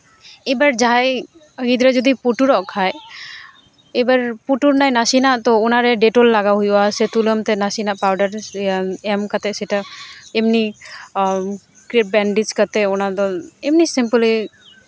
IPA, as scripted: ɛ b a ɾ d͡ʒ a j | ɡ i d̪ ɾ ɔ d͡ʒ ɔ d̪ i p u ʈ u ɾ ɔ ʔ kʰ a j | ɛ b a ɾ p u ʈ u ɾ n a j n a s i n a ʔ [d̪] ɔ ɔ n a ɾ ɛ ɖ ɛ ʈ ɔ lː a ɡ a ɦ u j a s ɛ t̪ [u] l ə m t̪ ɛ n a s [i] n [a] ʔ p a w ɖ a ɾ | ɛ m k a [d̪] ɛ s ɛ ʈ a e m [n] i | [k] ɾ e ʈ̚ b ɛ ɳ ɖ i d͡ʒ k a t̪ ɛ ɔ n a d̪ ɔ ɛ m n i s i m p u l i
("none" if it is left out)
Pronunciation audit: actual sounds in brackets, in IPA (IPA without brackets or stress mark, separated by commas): t̪, u, i, a, t̪, n, k